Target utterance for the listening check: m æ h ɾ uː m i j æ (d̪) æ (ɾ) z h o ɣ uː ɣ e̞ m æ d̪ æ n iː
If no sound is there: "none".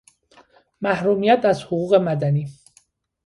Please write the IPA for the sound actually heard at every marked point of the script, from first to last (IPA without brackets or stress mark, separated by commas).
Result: t̪, none